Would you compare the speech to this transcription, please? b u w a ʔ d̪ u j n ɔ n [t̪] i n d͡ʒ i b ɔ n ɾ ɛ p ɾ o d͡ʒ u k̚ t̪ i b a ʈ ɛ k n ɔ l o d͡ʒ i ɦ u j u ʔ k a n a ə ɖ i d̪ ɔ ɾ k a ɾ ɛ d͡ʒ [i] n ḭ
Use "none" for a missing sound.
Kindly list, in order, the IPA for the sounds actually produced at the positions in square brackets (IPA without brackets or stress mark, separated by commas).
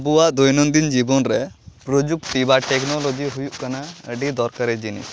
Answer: d̪, i